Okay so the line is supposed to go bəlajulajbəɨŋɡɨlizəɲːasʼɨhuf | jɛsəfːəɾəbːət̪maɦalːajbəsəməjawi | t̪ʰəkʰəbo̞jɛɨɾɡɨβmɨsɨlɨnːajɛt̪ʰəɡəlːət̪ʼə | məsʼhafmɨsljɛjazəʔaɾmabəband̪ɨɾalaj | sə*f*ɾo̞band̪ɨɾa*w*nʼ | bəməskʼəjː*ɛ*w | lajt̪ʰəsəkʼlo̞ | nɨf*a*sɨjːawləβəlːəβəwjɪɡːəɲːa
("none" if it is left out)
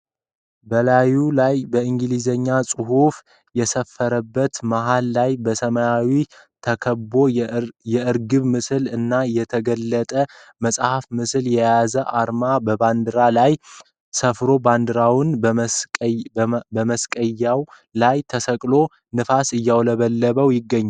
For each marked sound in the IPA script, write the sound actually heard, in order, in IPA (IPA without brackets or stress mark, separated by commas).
f, w, a, a